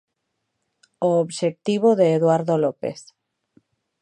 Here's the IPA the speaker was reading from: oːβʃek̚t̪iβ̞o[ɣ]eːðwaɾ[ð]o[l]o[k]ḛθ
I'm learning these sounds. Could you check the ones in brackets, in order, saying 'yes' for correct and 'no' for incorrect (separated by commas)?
no, yes, yes, no